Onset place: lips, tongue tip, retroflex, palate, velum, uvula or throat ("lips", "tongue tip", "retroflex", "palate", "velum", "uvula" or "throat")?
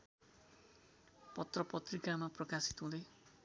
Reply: lips